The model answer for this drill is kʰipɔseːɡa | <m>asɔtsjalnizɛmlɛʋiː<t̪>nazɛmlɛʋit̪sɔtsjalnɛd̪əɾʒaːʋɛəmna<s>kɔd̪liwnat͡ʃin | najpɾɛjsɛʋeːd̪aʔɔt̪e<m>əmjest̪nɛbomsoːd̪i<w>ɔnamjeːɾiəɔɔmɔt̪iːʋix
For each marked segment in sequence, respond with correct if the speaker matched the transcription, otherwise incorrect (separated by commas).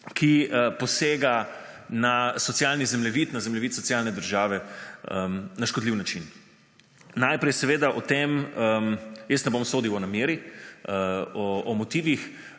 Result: incorrect, correct, incorrect, correct, correct